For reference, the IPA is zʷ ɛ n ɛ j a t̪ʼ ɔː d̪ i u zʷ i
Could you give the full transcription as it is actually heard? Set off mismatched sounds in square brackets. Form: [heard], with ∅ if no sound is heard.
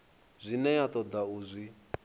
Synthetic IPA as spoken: zʷ [i] n ɛ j a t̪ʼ [ɔ] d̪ [a] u zʷ i